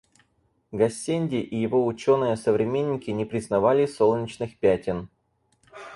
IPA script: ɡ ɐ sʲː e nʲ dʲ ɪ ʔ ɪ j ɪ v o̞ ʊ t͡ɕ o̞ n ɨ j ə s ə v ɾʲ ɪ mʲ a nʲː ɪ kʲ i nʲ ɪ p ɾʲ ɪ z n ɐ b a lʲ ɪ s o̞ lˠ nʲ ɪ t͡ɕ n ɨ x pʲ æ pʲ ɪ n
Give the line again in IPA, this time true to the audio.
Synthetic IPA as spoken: ɡ ɐ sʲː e nʲ dʲ ɪ ʔ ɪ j ɪ v o̞ ʊ t͡ɕ o̞ n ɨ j ə s ə v ɾʲ ɪ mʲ e nʲː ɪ kʲ ɪ nʲ ɪ p ɾʲ ɪ z n ɐ v a lʲ ɪ s o̞ lˠ nʲ ɪ t͡ɕ n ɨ x pʲ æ tʲ ɪ n